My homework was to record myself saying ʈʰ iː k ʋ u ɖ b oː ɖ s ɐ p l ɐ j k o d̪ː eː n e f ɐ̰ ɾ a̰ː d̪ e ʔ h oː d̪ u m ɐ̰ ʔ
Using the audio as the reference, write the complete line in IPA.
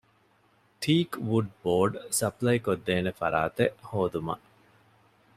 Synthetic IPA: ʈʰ iː k ʋ u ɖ b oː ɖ s ɐ p l ɐ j k o d̪ː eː n e f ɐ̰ ɾ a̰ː t̪ e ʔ h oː d̪ u m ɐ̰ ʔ